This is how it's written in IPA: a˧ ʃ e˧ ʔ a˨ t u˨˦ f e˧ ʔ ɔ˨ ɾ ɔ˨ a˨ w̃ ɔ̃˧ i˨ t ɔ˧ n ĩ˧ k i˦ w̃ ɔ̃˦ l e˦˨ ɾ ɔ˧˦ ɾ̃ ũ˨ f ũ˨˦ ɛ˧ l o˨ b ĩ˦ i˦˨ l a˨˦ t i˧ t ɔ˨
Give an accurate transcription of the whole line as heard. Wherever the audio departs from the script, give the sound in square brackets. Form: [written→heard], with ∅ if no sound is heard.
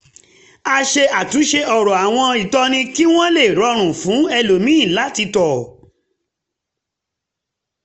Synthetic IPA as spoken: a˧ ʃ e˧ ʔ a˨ t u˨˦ [f→ʃ] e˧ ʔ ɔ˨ ɾ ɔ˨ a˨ w̃ ɔ̃˧ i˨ t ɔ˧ n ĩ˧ k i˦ w̃ ɔ̃˦ l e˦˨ ɾ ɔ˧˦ ɾ̃ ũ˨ f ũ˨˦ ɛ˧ l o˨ [b→m] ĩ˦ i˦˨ l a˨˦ t i˧ t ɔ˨